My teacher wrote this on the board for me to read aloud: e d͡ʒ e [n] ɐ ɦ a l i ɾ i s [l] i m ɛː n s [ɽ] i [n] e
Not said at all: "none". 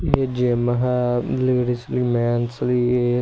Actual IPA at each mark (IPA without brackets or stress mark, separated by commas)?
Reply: m, l, l, none